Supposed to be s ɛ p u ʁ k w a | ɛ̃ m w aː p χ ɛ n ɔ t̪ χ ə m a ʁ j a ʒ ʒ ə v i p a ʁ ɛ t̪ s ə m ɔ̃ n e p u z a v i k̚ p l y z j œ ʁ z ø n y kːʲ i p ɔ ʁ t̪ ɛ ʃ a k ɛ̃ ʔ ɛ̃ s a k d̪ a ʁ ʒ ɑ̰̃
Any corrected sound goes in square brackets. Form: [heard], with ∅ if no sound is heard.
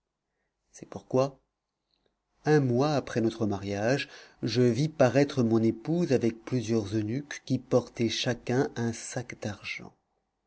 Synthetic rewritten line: s ɛ p u ʁ k w a | ɛ̃ m w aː p χ ɛ n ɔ t̪ χ ə m a ʁ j a ʒ ʒ ə v i p a ʁ ɛ t̪ [χ] ə m ɔ̃ n e p u z a v [ɛ] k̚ p l y z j œ ʁ z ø n y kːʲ i p ɔ ʁ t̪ ɛ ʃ a k ɛ̃ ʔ ɛ̃ s a k d̪ a ʁ ʒ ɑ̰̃

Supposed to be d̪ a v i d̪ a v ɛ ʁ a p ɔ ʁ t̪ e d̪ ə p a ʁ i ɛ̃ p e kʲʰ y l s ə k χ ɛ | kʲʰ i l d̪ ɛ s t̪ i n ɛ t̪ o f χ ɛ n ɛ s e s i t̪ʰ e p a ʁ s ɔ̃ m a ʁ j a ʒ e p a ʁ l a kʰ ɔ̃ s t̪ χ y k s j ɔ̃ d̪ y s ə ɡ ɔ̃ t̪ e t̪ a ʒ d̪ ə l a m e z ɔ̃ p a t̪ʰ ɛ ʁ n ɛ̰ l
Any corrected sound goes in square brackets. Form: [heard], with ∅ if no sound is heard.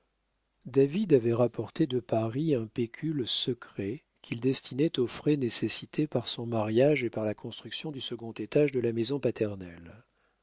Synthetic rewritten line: d̪ a v i d̪ a v ɛ ʁ a p ɔ ʁ t̪ e d̪ ə p a ʁ i ɛ̃ p e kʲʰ y l s ə k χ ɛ | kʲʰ i l d̪ ɛ s t̪ i n ɛ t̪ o f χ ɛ n [e] s e s i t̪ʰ e p a ʁ s ɔ̃ m a ʁ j a ʒ e p a ʁ l a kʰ ɔ̃ s t̪ χ y k s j ɔ̃ d̪ y s ə ɡ ɔ̃ t̪ e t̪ a ʒ d̪ ə l a m e z ɔ̃ p a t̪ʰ ɛ ʁ n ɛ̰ l

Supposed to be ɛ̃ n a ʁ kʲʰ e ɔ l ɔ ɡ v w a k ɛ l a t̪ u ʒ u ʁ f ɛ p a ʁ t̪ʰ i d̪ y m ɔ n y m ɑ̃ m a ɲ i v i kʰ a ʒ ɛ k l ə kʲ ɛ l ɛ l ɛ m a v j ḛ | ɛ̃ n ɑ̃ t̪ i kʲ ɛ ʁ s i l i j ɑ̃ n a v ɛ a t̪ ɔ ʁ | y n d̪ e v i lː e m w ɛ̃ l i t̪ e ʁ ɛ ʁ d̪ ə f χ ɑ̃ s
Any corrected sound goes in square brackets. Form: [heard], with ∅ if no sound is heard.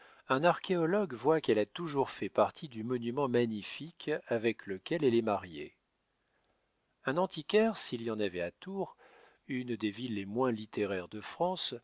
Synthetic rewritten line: ɛ̃ n a ʁ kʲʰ e ɔ l ɔ ɡ v w a k ɛ l a t̪ u ʒ u ʁ f ɛ p a ʁ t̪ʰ i d̪ y m ɔ n y m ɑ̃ m a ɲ i [f] i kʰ a [v] ɛ k l ə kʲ ɛ l ɛ l ɛ m a [ʁ] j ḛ | ɛ̃ n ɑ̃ t̪ i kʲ ɛ ʁ s i l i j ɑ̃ n a v ɛ a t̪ [u] ʁ | y n d̪ e v i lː e m w ɛ̃ l i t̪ e ʁ ɛ ʁ d̪ ə f χ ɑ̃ s

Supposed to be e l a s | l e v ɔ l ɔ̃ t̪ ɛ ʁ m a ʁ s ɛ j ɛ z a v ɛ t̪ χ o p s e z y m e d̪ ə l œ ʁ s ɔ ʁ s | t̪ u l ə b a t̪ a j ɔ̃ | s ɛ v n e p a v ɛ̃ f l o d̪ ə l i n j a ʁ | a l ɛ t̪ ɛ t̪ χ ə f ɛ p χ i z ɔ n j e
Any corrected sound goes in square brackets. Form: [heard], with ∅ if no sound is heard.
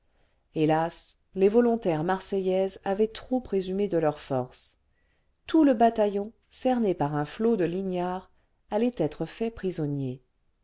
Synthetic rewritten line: e l a s | l e v ɔ l ɔ̃ t̪ ɛ ʁ m a ʁ s ɛ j ɛ z a v ɛ t̪ χ o p [χ] e z y m e d̪ ə l œ ʁ [f] ɔ ʁ s | t̪ u l ə b a t̪ a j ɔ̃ | s ɛ [ʁ] n e p a [ʁ] ɛ̃ f l o d̪ ə l i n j a ʁ | a l ɛ t̪ ɛ t̪ χ ə f ɛ p χ i z ɔ n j e

